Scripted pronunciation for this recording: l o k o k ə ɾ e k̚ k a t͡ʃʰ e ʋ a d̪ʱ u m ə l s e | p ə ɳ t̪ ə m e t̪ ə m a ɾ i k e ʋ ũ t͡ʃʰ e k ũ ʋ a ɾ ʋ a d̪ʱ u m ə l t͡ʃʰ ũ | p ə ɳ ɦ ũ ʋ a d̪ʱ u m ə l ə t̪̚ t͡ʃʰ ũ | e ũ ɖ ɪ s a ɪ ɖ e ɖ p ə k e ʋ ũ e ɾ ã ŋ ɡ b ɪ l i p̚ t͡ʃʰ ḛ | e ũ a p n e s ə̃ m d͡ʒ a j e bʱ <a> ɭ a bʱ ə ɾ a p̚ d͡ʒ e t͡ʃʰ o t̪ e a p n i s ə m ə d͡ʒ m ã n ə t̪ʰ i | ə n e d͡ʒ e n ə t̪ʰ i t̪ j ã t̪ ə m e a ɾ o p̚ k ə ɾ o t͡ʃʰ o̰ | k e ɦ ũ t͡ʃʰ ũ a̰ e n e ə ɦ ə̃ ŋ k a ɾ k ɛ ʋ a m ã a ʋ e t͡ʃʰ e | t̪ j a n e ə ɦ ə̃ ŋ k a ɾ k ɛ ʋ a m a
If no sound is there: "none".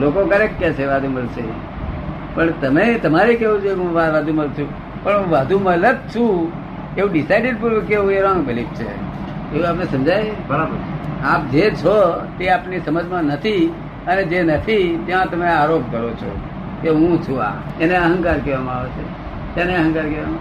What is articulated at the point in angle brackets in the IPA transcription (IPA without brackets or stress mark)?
ə